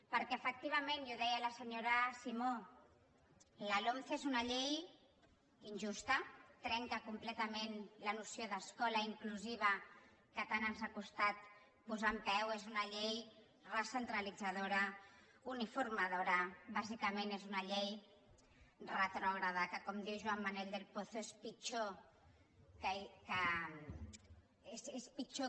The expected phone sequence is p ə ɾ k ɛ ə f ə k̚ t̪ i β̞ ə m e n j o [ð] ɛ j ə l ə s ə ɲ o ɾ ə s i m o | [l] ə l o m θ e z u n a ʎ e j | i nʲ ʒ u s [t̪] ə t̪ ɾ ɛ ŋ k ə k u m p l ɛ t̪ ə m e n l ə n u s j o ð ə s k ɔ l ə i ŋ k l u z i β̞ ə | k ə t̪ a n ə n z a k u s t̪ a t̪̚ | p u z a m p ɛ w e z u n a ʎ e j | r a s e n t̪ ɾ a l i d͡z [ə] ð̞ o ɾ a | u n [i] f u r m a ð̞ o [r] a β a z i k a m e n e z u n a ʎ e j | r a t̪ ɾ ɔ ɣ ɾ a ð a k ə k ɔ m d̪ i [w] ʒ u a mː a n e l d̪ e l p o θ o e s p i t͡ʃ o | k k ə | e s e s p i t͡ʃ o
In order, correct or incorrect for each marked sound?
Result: correct, correct, correct, incorrect, correct, incorrect, correct

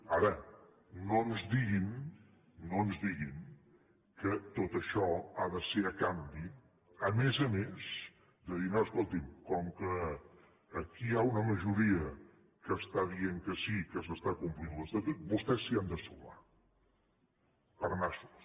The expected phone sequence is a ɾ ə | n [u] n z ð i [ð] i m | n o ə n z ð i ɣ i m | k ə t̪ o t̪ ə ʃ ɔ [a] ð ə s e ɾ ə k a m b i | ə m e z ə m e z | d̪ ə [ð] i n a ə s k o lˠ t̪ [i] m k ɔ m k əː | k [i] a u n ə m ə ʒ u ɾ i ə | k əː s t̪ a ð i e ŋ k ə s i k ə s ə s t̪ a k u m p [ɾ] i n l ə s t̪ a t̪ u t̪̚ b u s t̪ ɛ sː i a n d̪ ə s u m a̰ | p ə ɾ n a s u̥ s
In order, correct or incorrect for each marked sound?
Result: incorrect, incorrect, correct, correct, correct, correct, incorrect

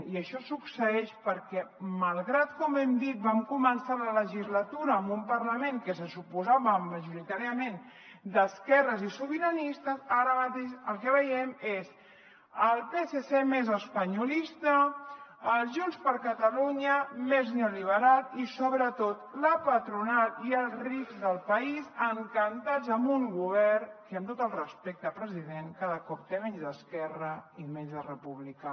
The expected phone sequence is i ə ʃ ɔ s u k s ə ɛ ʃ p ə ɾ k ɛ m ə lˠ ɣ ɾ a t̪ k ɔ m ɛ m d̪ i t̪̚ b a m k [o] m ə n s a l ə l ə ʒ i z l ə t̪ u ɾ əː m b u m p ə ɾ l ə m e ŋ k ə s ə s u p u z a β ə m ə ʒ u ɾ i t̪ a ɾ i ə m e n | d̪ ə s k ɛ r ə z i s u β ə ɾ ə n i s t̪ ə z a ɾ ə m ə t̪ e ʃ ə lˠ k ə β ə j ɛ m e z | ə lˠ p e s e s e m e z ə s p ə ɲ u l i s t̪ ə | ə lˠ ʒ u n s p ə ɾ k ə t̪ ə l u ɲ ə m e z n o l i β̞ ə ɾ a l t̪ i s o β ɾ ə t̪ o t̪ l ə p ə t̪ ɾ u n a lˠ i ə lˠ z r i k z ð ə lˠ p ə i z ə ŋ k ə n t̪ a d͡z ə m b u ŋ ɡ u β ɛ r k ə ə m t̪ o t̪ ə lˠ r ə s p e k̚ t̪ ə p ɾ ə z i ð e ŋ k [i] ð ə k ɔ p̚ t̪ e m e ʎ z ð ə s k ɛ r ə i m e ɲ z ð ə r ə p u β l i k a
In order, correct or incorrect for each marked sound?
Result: incorrect, incorrect

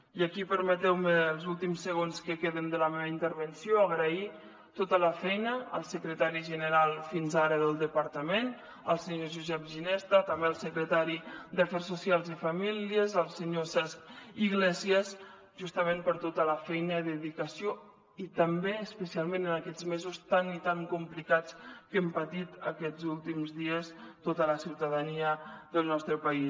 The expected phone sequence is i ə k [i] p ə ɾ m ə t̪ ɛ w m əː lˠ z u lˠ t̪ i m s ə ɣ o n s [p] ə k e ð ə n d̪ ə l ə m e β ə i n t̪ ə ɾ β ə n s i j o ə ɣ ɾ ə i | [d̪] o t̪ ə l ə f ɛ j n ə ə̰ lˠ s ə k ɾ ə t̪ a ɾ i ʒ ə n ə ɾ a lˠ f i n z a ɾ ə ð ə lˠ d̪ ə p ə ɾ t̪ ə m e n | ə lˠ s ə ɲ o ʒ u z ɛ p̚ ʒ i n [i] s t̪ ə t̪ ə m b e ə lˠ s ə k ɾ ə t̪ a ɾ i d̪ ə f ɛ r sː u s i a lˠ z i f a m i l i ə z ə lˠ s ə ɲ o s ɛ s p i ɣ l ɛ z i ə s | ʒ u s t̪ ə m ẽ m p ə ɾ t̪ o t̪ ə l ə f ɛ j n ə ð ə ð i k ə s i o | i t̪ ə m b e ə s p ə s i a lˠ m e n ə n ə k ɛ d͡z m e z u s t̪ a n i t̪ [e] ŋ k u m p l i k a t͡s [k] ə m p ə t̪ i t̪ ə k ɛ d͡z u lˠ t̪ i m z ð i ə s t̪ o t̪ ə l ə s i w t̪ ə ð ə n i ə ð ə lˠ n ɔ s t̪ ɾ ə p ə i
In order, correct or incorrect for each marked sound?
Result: correct, incorrect, incorrect, incorrect, incorrect, correct

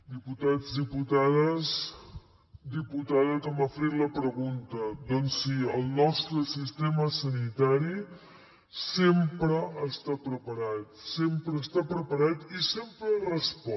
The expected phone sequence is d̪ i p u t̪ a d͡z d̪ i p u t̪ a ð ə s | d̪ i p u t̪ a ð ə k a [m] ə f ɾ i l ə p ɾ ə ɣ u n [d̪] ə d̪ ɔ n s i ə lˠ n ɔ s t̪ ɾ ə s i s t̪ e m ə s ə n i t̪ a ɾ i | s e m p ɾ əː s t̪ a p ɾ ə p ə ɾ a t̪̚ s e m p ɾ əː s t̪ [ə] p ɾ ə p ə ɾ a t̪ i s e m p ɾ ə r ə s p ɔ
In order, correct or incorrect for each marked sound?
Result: correct, incorrect, incorrect

